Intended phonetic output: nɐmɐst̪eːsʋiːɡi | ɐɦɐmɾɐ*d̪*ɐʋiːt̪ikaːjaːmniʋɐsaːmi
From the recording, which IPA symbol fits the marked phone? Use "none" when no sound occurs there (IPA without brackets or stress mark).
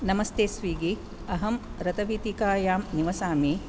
t̪